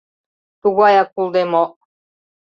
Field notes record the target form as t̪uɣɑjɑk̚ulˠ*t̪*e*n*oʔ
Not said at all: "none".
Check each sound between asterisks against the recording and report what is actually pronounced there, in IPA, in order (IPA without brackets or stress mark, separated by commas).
d̪, m